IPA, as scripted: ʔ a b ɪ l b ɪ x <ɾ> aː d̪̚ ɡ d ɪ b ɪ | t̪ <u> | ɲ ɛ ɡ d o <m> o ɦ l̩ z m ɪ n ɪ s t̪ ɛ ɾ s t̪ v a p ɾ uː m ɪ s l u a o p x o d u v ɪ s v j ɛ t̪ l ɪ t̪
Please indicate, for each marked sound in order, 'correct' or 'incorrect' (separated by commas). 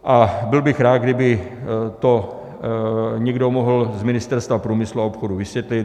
correct, incorrect, correct